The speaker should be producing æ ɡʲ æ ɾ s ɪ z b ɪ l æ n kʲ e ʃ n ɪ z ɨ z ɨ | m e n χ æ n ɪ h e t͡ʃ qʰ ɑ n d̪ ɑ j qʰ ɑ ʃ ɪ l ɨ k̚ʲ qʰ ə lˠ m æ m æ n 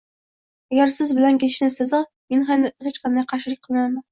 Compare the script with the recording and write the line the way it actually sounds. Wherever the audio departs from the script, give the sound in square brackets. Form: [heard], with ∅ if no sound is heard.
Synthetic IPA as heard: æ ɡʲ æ ɾ s ɪ z b ɪ l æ n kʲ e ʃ n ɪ [s] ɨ z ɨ | m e n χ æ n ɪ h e t͡ʃ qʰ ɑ n d̪ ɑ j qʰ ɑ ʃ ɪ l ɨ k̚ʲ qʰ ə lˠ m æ m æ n